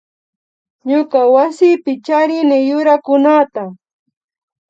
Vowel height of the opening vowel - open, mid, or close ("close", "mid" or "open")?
close